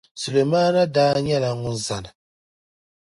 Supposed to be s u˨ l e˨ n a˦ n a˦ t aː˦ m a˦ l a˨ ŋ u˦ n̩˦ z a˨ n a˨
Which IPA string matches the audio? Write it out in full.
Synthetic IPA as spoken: s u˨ l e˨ m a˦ n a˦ d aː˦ ɲ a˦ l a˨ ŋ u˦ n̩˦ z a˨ n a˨